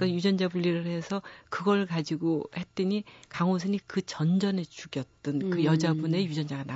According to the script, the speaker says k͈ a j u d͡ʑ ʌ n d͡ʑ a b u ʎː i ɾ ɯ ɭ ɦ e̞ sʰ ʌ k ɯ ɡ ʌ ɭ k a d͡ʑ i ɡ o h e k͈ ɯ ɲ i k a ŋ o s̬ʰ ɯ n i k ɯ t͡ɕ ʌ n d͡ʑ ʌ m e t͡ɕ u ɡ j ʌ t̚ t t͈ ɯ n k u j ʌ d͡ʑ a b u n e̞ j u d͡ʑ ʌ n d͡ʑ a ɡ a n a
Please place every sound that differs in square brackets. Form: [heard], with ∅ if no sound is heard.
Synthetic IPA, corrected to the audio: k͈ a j u d͡ʑ ʌ n d͡ʑ a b u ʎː i ɾ ɯ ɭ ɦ e̞ sʰ ʌ k ɯ ɡ ʌ ɭ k a d͡ʑ i ɡ o h e [t͈] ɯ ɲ i k a ŋ o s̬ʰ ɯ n i k ɯ t͡ɕ ʌ n d͡ʑ ʌ [n] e t͡ɕ u ɡ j ʌ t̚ t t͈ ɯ n k [ɯ] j ʌ d͡ʑ a b u n e̞ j u d͡ʑ ʌ n d͡ʑ a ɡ a n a